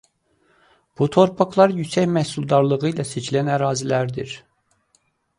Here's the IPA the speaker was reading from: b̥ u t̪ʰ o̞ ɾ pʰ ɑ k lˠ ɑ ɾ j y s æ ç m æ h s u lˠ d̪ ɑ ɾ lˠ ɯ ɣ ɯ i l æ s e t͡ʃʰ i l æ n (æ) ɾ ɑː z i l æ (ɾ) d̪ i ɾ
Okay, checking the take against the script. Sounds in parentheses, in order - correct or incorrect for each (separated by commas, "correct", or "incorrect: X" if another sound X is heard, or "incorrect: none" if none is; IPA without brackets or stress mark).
correct, correct